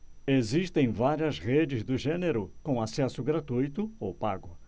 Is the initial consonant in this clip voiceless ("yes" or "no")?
no